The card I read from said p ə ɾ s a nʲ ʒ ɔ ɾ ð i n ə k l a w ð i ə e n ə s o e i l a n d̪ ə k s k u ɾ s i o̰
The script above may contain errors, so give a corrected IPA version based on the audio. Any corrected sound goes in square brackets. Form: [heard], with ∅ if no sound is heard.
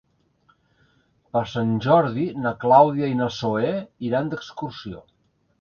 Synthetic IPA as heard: p ə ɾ s a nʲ ʒ ɔ ɾ ð i n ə k l a w ð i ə [i] n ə s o e i [ɾ] a n d̪ ə k s k u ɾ s i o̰